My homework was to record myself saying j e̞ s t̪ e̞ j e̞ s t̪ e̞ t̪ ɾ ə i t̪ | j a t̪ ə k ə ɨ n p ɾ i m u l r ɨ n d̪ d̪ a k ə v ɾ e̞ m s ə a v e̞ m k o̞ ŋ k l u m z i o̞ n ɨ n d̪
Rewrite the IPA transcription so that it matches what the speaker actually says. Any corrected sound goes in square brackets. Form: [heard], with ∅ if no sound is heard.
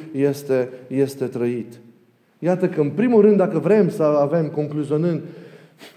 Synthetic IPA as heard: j e̞ s t̪ e̞ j e̞ s t̪ e̞ t̪ ɾ ə i t̪ | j a t̪ ə k ə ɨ n p ɾ i m u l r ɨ n d̪ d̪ a k ə v ɾ e̞ m s ə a v e̞ m k o̞ ŋ k l u [∅] z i o̞ n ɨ n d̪